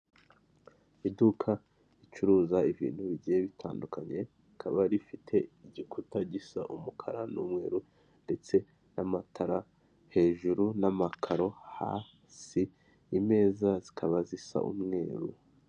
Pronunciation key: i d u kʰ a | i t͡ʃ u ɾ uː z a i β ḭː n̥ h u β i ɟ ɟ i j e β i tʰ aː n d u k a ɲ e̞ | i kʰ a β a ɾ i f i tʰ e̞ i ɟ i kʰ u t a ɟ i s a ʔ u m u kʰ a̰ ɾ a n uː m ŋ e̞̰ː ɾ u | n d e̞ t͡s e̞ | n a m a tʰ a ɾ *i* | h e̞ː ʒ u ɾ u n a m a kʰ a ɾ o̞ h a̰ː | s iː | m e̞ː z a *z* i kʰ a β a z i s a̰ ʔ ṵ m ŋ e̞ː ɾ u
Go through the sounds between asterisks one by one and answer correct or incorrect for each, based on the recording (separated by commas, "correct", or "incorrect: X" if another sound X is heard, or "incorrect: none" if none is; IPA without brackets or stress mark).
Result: incorrect: a, correct